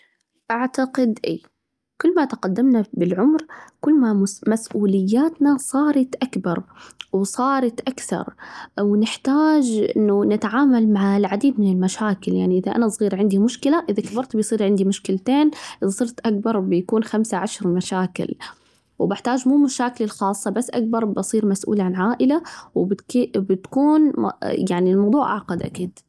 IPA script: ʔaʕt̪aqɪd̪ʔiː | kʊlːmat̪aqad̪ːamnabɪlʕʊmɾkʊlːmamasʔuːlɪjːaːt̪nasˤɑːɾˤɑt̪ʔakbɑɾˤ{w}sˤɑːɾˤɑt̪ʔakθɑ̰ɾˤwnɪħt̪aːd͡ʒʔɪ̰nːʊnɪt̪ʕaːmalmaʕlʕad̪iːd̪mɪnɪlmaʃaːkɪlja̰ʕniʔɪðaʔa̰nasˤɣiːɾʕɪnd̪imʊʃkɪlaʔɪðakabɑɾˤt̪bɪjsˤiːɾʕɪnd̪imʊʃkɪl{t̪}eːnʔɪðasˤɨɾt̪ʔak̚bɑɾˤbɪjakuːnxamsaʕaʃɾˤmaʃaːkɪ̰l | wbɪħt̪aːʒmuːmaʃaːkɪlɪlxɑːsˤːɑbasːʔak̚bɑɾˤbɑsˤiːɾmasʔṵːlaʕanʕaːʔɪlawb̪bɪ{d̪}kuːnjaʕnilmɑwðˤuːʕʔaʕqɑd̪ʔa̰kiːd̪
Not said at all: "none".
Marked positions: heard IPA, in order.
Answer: w, t̪, t̪

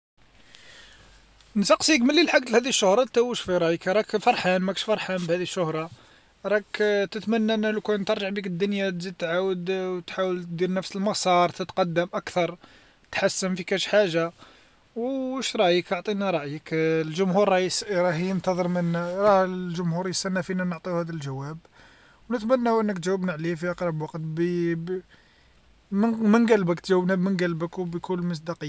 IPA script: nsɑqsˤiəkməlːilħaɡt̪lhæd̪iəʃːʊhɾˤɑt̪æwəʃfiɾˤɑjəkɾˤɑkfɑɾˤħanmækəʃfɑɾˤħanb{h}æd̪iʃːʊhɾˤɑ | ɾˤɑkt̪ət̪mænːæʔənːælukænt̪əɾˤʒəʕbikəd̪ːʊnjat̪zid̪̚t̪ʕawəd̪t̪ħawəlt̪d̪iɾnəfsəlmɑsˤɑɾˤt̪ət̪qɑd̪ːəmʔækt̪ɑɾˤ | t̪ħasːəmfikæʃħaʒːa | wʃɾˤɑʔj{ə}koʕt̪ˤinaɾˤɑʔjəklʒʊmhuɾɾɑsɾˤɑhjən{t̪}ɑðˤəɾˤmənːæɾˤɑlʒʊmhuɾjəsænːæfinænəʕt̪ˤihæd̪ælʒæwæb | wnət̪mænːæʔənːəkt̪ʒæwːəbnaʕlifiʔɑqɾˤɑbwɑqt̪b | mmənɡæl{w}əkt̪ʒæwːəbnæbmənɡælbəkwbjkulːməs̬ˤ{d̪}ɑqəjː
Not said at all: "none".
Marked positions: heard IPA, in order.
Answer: h, ə, t̪, b, d̪

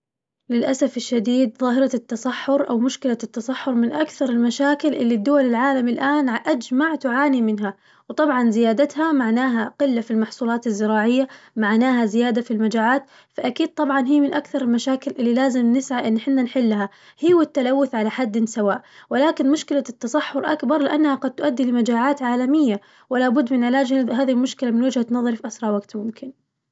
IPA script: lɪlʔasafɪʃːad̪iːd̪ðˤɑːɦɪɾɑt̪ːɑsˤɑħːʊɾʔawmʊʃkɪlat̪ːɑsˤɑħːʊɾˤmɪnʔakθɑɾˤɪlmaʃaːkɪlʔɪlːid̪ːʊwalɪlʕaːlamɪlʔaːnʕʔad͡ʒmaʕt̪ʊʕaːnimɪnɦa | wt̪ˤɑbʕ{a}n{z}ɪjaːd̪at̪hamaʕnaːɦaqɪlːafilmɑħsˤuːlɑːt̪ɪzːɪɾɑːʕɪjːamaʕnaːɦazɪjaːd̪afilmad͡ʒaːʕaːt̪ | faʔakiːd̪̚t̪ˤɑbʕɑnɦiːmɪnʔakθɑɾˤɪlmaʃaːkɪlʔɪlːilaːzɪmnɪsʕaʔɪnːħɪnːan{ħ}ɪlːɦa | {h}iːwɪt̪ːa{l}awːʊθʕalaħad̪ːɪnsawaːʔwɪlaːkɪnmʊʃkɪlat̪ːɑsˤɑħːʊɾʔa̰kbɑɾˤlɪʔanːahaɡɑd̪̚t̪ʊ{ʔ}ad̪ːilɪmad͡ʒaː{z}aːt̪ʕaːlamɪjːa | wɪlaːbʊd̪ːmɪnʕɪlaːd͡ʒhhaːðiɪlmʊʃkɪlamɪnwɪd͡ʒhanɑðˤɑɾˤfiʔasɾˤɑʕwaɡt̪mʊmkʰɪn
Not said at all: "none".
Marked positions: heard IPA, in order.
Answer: ɑ, z, ħ, h, l, ʔ, ʕ

